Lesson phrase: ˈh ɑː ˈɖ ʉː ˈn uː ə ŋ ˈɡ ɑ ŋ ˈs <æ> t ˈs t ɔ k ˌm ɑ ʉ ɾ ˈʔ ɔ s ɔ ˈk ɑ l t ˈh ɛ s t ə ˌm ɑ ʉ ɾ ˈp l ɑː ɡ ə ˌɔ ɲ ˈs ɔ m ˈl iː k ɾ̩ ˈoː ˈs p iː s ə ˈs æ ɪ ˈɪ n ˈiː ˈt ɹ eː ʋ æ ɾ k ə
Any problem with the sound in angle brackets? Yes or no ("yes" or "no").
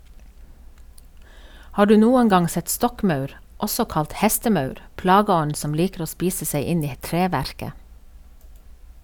yes